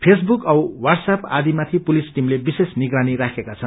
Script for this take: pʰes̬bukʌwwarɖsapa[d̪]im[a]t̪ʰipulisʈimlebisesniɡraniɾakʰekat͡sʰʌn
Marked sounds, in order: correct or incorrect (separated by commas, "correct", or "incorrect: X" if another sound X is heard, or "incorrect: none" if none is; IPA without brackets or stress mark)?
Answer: correct, correct